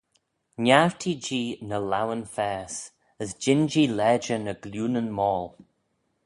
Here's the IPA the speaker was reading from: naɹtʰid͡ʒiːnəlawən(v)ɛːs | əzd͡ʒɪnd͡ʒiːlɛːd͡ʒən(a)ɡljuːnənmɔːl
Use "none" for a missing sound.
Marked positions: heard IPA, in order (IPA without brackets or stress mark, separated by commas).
f, ə